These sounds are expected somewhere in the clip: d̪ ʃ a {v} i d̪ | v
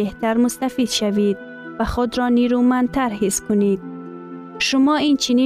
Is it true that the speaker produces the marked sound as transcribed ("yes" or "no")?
yes